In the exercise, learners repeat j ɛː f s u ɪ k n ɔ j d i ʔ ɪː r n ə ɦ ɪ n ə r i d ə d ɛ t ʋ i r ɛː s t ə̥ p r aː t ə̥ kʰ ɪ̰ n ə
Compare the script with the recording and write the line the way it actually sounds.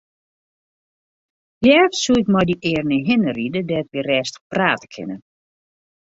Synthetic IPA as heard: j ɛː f s u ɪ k m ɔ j d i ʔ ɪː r n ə ɦ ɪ n ə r i d ə d ɛ t ʋ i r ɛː s t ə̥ p r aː t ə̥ kʰ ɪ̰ n ə

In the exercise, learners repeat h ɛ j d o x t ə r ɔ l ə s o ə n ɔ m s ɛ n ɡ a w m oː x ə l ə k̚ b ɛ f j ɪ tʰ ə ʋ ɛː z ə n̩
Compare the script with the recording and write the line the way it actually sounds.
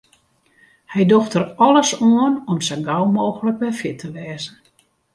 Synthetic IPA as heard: h ɛ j d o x t ə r ɔ l ə s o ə n ɔ m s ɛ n ɡ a w m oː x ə l ə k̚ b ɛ f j ɪ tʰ ə ʋ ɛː z ə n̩

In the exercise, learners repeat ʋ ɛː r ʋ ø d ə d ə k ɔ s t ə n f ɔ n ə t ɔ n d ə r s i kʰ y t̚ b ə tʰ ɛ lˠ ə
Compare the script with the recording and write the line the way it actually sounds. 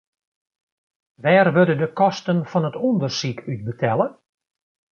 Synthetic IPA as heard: ʋ ɛː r ʋ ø d ə d ə k ɔ s t ə n f ɔ n ə t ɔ n d ə r s i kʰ y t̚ b ə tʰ ɛ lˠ ə

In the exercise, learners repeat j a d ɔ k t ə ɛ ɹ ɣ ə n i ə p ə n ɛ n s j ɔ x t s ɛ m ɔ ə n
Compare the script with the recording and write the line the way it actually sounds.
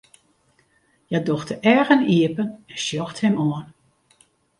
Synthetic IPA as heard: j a d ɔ x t ə ɛ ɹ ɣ ə n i ə p ə n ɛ n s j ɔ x t h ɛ m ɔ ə n

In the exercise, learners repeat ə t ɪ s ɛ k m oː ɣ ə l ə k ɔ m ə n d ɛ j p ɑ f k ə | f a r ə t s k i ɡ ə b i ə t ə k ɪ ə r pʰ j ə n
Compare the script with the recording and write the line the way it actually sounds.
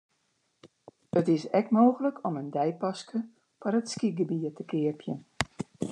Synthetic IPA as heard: ə t ɪ s ɛ k m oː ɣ ə l ə k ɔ m ə n d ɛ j p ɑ s k ə | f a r ə t s k i ɡ ə b i ə t ə k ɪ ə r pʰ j ə n

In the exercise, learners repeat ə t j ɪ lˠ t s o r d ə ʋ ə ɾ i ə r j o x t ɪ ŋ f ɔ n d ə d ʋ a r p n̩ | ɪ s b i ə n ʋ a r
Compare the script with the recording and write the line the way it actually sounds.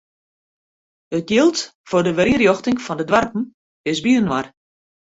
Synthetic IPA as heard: ə t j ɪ lˠ t f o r d ə ʋ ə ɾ i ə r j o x t ɪ ŋ f ɔ n d ə d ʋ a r p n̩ | ɪ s b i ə n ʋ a r

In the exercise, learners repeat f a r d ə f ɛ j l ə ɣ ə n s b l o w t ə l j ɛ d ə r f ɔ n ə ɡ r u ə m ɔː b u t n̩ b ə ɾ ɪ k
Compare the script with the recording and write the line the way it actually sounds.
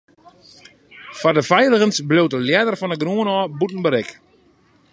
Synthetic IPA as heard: f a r d ə f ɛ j l ə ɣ ə n s b l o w t ə l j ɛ d ə r f ɔ n ə ɡ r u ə n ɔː b u t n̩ b ə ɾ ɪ k

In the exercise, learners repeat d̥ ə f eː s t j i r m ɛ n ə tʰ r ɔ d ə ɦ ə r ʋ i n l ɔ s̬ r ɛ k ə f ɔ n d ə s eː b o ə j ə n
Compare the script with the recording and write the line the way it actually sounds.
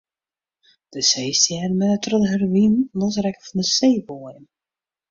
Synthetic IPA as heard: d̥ ə s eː s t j ɛ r m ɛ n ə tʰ r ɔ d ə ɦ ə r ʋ i n l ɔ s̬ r ɛ k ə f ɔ n d ə s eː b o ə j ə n

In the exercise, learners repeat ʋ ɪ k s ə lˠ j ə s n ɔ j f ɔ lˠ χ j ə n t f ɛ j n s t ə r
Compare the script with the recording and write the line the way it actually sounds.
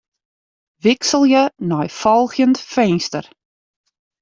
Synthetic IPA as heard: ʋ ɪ k s ə lˠ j ə n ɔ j f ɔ lˠ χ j ə n t f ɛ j n s t ə r

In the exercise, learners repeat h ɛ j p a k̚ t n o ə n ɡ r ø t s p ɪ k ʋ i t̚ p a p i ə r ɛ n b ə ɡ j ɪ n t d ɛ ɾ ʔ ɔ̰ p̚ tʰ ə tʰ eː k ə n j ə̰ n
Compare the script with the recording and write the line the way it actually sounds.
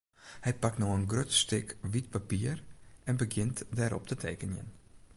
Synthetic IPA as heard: h ɛ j p a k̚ t n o ə n ɡ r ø t s t ɪ k ʋ i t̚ p a p i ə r ɛ n b ə ɡ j ɪ n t d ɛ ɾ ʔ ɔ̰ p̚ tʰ ə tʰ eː k ə n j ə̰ n

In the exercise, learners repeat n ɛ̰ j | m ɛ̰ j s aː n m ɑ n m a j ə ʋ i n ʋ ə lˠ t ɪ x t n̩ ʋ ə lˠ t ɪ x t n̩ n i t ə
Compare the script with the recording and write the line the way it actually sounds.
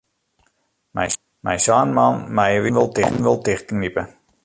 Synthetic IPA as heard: m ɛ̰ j | m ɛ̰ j s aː n m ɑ n m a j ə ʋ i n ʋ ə lˠ t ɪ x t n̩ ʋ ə lˠ t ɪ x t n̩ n i p ə

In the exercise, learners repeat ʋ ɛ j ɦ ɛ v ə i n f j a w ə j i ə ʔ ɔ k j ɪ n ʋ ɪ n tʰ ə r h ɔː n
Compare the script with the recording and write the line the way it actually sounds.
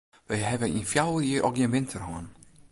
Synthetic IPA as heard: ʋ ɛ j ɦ ɛ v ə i n f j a w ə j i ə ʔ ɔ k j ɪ n ʋ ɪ n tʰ ə r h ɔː n

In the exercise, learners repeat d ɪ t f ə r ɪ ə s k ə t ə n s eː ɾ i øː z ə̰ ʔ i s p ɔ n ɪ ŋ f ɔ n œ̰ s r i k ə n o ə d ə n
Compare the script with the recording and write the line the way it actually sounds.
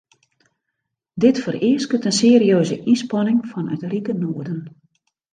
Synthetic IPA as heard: d ɪ t f ə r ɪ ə s k ə t ə n s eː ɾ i øː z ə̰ ʔ i s p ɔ n ɪ ŋ f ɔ n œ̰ t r i k ə n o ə d ə n

